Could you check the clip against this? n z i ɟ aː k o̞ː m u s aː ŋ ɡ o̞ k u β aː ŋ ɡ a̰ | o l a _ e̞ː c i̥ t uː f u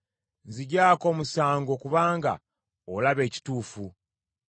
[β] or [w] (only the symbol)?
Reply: β